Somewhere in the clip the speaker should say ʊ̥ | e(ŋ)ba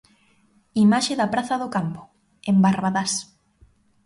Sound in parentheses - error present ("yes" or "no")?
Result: yes